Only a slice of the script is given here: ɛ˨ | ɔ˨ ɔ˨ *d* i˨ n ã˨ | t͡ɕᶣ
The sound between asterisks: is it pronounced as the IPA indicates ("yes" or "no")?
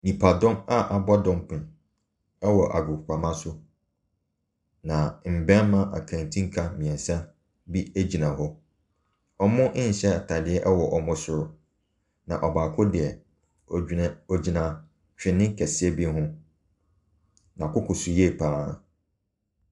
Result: no